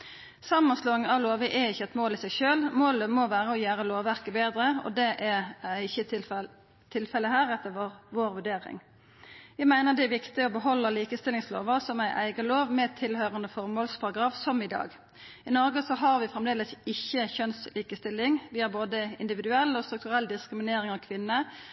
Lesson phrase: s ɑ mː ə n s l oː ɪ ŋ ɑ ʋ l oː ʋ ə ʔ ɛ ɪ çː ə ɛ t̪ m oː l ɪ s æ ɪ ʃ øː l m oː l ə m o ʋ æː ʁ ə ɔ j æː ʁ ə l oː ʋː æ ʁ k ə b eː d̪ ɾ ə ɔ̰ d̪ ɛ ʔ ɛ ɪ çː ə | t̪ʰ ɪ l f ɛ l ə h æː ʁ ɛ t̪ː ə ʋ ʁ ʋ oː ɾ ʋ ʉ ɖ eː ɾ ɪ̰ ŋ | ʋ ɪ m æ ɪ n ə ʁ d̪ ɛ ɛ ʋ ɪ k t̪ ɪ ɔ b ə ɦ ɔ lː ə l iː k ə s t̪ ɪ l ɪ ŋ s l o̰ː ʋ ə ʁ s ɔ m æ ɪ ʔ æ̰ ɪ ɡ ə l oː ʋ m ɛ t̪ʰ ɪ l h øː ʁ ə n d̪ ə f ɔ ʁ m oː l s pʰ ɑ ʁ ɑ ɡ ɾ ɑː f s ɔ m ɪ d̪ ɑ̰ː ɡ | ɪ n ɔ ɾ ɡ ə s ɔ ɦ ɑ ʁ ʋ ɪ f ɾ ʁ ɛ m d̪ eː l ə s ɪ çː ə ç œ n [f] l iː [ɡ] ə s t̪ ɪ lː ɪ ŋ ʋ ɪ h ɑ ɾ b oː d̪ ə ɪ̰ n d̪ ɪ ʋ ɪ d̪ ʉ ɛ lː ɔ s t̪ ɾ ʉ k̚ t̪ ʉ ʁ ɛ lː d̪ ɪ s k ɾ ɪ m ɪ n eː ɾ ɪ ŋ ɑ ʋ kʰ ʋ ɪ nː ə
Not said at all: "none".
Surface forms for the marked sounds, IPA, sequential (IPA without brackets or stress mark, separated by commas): s, k